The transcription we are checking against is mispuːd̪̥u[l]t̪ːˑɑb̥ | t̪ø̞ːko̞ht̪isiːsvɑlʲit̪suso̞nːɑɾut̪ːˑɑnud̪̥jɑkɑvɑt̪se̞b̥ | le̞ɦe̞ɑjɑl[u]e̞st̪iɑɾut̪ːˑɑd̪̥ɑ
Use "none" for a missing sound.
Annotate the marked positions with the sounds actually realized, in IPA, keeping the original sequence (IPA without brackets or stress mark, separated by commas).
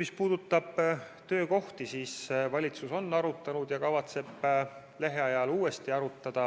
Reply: none, uː